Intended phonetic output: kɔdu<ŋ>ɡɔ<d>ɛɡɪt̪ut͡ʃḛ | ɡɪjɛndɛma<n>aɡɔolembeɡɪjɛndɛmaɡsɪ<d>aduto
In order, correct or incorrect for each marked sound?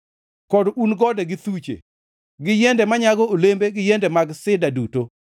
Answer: incorrect: n, correct, incorrect: ɲ, correct

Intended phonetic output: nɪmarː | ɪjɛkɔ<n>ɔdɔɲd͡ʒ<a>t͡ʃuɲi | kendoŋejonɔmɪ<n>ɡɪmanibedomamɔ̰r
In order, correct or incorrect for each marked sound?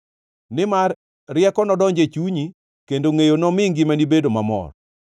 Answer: correct, incorrect: e, incorrect: ŋ

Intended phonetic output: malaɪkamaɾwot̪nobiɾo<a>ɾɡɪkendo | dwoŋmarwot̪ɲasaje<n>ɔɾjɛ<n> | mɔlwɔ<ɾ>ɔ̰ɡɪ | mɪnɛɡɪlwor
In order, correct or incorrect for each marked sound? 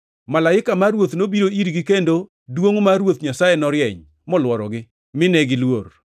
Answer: incorrect: i, correct, incorrect: ɲ, correct

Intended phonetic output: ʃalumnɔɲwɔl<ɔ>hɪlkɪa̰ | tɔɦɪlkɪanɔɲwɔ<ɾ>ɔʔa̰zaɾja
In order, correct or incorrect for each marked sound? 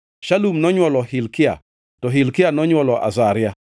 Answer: correct, incorrect: l

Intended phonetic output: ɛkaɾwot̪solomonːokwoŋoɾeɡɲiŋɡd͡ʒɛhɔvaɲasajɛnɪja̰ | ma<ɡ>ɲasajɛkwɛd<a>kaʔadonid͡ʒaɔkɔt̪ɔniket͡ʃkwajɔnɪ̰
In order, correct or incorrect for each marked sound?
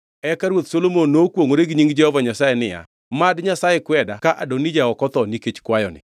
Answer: incorrect: d, correct

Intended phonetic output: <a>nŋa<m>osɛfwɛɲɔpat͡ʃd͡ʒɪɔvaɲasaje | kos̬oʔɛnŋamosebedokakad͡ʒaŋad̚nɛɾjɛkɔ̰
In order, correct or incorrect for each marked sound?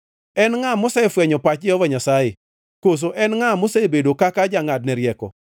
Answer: incorrect: ɛ, correct

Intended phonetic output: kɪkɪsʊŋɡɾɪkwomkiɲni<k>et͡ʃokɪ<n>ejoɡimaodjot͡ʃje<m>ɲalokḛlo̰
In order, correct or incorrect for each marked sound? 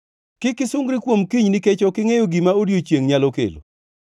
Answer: correct, incorrect: ŋ, incorrect: ŋ

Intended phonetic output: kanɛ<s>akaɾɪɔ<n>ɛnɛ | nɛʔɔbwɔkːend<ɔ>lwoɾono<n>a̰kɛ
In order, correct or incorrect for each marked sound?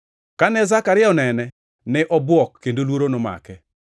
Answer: incorrect: z, correct, incorrect: o, incorrect: m

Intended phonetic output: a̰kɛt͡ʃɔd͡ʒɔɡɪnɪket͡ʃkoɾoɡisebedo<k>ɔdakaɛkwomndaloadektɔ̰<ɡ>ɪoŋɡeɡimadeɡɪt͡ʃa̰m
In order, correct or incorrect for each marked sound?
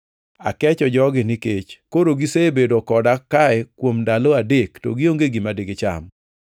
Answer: correct, correct

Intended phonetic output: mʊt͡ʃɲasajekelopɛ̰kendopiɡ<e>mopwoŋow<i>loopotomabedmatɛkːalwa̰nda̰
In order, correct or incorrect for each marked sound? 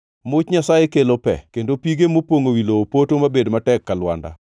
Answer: correct, correct

